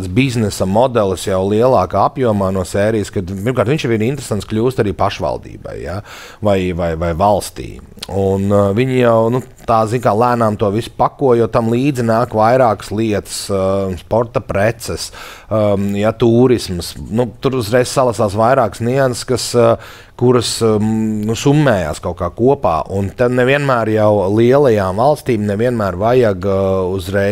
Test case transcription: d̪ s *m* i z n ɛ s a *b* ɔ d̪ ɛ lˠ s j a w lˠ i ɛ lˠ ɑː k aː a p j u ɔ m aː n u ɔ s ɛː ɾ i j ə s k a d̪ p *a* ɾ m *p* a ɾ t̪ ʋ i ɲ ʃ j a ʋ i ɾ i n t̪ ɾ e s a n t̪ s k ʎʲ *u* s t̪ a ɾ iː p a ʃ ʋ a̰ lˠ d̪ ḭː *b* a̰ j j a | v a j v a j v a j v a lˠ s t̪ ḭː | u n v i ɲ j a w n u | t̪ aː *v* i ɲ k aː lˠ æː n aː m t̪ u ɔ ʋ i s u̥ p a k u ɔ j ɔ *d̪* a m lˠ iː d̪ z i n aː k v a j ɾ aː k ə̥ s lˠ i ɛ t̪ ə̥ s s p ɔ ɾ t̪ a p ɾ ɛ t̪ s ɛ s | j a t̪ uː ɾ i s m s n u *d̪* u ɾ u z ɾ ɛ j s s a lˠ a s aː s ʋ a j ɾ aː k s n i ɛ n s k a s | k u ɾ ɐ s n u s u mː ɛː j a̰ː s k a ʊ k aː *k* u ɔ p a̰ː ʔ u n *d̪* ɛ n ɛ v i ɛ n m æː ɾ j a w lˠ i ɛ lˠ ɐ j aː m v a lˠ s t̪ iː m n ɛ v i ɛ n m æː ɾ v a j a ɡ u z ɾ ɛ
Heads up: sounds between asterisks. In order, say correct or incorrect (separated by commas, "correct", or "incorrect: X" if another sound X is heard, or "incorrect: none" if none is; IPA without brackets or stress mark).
incorrect: b, incorrect: m, incorrect: i, incorrect: k, incorrect: uː, correct, incorrect: z, incorrect: t̪, incorrect: t̪, correct, incorrect: t̪